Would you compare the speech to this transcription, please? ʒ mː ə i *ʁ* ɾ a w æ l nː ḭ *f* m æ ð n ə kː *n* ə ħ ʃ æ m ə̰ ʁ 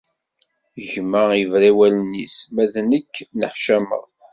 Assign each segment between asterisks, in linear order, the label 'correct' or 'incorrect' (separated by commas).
incorrect, incorrect, correct